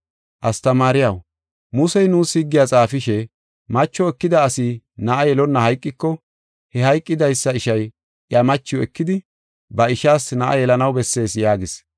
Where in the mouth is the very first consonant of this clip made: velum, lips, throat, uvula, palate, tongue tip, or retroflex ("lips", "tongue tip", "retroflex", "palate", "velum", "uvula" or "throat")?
throat